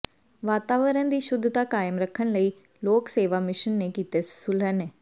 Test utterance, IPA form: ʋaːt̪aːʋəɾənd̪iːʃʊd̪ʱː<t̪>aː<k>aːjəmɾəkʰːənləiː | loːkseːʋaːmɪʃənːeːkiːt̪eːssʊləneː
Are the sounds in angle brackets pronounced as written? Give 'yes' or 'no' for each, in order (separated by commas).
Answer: yes, yes